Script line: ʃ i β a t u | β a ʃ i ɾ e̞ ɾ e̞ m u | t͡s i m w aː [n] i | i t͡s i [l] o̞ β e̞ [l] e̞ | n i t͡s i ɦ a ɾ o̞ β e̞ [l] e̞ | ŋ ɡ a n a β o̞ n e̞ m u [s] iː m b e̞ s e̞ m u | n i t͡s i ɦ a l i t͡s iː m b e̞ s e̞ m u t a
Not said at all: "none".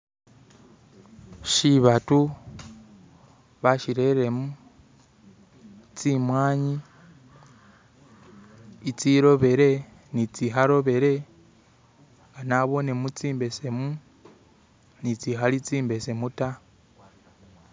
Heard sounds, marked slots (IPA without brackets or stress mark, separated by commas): ɲ, ɾ, ɾ, ɾ, t͡s